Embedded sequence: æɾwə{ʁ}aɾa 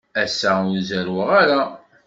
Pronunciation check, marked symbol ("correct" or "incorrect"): correct